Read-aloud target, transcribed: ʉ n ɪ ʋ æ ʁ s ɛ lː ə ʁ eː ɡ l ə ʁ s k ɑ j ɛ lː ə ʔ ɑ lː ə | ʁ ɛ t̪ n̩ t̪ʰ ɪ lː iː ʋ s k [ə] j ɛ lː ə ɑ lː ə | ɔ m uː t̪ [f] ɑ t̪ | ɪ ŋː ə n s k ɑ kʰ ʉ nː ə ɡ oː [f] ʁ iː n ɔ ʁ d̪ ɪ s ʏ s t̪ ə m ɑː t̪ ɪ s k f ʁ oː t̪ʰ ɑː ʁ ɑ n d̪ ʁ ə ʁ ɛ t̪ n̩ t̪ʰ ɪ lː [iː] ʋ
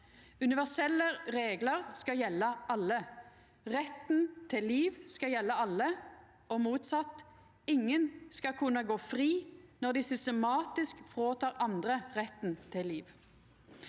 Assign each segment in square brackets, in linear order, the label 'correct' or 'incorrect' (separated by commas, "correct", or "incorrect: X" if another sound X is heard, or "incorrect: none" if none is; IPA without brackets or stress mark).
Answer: incorrect: ɑ, incorrect: s, correct, correct